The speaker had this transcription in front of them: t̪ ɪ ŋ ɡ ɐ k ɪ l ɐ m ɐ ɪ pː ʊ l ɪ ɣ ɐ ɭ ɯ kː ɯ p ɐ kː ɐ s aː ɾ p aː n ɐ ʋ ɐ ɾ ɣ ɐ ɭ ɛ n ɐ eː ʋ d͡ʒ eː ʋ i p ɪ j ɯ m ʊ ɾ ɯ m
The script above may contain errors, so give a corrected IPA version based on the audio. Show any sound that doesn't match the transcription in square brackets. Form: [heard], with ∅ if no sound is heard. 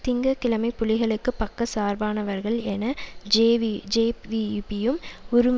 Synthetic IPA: t̪ ɪ ŋ ɡ ɐ k ɪ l ɐ m ɐ ɪ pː ʊ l ɪ ɣ ɐ ɭ ɯ kː ɯ p ɐ kː ɐ s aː ɾ [b] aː n ɐ ʋ ɐ ɾ ɣ ɐ ɭ ɛ n ɐ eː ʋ d͡ʒ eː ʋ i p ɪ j ɯ m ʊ ɾ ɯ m

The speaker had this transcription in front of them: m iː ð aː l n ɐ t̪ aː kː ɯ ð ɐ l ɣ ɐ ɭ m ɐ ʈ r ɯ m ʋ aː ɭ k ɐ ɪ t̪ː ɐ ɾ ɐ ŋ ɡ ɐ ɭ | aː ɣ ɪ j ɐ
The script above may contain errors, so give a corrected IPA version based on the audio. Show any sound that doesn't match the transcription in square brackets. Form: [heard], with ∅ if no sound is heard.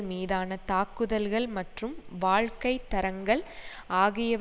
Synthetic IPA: m iː ð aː [∅] n ɐ t̪ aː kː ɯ ð ɐ l ɣ ɐ ɭ m ɐ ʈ r ɯ m ʋ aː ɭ k ɐ ɪ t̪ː ɐ ɾ ɐ ŋ ɡ ɐ ɭ | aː ɣ ɪ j ɐ

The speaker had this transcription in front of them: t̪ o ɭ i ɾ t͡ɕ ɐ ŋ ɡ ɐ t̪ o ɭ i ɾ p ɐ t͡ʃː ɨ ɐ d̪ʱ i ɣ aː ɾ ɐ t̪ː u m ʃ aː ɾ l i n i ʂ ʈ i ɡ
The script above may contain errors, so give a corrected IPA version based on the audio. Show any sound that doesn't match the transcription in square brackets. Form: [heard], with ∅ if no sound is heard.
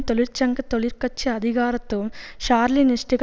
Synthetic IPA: t̪ o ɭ i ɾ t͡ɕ ɐ ŋ ɡ ɐ t̪ o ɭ i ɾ [k] ɐ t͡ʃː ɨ ɐ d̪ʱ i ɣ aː ɾ ɐ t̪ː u m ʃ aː ɾ l i n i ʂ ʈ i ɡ

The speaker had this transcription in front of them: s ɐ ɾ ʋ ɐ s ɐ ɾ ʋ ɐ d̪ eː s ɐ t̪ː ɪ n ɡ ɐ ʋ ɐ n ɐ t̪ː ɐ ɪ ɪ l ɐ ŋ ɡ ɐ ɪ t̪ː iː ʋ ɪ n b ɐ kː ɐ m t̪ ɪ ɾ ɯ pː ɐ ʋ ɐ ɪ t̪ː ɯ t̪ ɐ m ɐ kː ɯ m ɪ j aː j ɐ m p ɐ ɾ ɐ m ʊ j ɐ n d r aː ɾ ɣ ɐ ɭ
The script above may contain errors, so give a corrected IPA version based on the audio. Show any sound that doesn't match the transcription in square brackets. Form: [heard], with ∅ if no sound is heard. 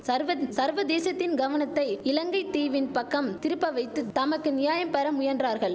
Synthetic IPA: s ɐ ɾ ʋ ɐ s ɐ ɾ ʋ ɐ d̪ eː s ɐ t̪ː ɪ n ɡ ɐ ʋ ɐ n ɐ t̪ː ɐ ɪ ɪ l ɐ ŋ ɡ ɐ ɪ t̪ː iː ʋ ɪ n [p] ɐ kː ɐ m t̪ ɪ ɾ ɯ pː ɐ ʋ ɐ ɪ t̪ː ɯ t̪ ɐ m ɐ kː ɯ [n] ɪ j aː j ɐ m p ɐ ɾ ɐ m ʊ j ɐ n d r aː ɾ ɣ ɐ ɭ

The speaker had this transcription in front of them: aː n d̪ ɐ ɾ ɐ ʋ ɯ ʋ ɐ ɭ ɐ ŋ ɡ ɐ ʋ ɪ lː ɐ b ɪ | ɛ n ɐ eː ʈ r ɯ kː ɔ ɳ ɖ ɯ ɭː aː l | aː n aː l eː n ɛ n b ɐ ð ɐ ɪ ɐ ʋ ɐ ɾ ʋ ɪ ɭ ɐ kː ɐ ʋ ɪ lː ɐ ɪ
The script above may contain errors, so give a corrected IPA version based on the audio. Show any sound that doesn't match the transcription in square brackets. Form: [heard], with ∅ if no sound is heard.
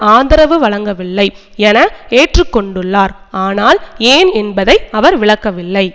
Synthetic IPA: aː n d̪ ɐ ɾ ɐ ʋ ɯ ʋ ɐ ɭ ɐ ŋ ɡ ɐ ʋ ɪ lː ɐ [∅] ɪ | ɛ n ɐ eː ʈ r ɯ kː ɔ ɳ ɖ ɯ ɭː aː [ɾ] | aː n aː l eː n ɛ n b ɐ ð ɐ ɪ ɐ ʋ ɐ ɾ ʋ ɪ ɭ ɐ kː ɐ ʋ ɪ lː ɐ ɪ

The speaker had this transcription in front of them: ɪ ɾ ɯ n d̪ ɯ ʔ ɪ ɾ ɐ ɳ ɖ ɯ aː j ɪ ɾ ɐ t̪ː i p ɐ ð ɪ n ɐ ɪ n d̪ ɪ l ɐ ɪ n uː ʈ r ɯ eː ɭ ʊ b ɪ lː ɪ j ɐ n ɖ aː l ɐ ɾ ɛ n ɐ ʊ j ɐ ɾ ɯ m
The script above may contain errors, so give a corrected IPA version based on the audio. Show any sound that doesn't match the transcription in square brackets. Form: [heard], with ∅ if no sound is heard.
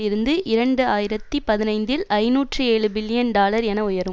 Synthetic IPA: ɪ ɾ ɯ n d̪ ɯ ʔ ɪ ɾ ɐ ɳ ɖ ɯ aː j ɪ ɾ ɐ t̪ː i p ɐ ð ɪ n ɐ ɪ n d̪ ɪ l ɐ ɪ n uː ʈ r ɯ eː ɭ [ɯ] b ɪ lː ɪ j ɐ n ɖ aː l ɐ ɾ ɛ n ɐ ʊ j ɐ ɾ ɯ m

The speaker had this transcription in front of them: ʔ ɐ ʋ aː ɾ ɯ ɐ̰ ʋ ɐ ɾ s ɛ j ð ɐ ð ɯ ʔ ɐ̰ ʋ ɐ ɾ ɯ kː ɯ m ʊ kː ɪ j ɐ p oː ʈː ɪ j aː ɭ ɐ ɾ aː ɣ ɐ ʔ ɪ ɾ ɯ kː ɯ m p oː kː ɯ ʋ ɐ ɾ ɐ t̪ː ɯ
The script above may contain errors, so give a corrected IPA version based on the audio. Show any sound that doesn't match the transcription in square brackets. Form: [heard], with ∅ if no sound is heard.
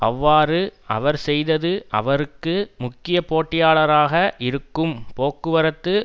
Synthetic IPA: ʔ ɐ [ʋː] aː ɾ ɯ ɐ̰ ʋ ɐ ɾ s ɛ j ð ɐ ð ɯ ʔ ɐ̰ ʋ ɐ ɾ ɯ kː ɯ m ʊ kː ɪ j ɐ p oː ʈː ɪ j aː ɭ ɐ ɾ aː ɣ ɐ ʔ ɪ ɾ ɯ kː ɯ m p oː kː ɯ ʋ ɐ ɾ ɐ t̪ː ɯ

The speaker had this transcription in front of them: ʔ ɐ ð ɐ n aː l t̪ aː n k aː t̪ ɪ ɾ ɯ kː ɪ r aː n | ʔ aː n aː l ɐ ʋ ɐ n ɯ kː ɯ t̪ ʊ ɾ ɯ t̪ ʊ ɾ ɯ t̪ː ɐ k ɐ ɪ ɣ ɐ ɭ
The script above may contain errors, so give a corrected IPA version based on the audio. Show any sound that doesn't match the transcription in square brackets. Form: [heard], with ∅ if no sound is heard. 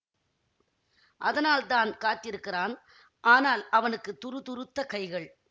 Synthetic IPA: ʔ ɐ ð ɐ n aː l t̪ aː n k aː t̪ ɪ ɾ ɯ kː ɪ r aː n | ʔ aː n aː l ɐ ʋ ɐ n ɯ kː ɯ t̪ ʊ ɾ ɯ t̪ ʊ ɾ ɯ t̪ː ɐ k ɐ ɪ ɣ ɐ ɭ

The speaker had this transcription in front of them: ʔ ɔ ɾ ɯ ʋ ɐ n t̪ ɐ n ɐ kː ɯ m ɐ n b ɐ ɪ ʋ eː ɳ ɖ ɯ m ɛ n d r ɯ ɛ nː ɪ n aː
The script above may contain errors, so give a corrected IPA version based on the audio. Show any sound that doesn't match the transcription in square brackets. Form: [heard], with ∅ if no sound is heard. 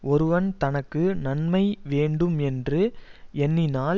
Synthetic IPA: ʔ ɔ ɾ ɯ ʋ ɐ n t̪ ɐ n ɐ kː ɯ [n] ɐ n [m] ɐ ɪ ʋ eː ɳ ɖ ɯ m ɛ n d r ɯ ɛ nː ɪ n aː

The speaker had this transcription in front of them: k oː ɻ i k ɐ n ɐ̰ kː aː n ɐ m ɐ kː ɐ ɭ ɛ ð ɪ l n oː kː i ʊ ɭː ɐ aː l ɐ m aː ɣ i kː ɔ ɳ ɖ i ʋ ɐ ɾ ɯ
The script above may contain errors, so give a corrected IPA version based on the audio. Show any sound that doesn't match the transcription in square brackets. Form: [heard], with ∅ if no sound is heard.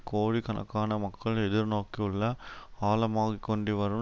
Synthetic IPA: k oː ɻ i k ɐ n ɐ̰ kː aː n ɐ m ɐ kː ɐ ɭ ɛ ð ɪ [ɾ] n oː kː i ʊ ɭː ɐ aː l ɐ m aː ɣ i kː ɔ ɳ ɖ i ʋ ɐ ɾ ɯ

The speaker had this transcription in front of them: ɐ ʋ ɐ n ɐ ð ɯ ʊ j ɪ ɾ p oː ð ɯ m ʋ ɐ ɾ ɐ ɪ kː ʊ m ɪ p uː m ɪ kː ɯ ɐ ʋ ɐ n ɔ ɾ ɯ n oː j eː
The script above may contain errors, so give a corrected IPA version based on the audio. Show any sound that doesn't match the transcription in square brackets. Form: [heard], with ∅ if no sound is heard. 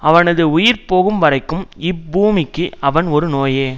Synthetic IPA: ɐ ʋ ɐ n ɐ ð ɯ ʊ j ɪ ɾ p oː [ɣ] ɯ m ʋ ɐ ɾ ɐ ɪ kː [ɯ] m ɪ [b] uː m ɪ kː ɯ ɐ ʋ ɐ n ɔ ɾ ɯ n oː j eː

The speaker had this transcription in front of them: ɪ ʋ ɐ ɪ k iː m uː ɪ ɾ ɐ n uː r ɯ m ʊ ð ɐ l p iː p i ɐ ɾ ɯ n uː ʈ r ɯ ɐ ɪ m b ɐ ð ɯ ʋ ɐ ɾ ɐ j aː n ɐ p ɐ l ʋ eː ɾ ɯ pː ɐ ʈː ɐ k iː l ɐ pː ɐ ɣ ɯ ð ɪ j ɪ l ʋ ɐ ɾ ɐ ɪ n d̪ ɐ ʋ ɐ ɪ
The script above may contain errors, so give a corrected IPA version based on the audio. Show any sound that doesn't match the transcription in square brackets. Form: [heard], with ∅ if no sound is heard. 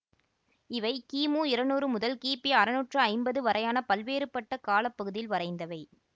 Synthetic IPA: ɪ ʋ ɐ ɪ k iː m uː ɪ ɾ ɐ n uː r ɯ m ʊ ð ɐ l [k] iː p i ɐ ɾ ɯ n uː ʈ r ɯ ɐ ɪ m b ɐ ð ɯ ʋ ɐ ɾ ɐ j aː n ɐ p ɐ l ʋ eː ɾ ɯ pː ɐ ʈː ɐ k [aː] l ɐ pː ɐ ɣ ɯ ð ɪ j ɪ l ʋ ɐ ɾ ɐ ɪ n d̪ ɐ ʋ ɐ ɪ

